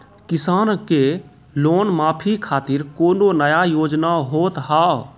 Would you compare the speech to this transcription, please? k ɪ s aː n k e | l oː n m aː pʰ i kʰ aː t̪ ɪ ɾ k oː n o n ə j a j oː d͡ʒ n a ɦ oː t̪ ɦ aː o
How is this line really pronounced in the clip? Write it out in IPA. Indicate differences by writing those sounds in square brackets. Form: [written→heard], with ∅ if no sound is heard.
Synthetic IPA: k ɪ s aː n k e | l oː n m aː pʰ i kʰ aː t̪ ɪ ɾ k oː n o n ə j a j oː d͡ʒ n a ɦ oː t̪ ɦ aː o